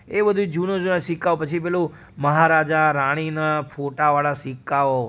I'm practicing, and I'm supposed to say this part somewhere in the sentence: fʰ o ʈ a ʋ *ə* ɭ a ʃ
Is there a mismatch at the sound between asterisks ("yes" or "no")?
yes